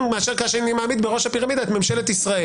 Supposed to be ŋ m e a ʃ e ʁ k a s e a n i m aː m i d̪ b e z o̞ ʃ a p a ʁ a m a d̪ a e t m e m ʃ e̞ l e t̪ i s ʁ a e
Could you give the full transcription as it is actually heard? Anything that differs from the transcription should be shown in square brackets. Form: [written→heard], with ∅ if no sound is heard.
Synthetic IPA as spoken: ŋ m e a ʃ e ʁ k a [s→ʃ] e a n i m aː m i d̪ b e [z→ʁ] o̞ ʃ a p [a→i] ʁ a m [a→i] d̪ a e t m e m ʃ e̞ l e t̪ i s ʁ a e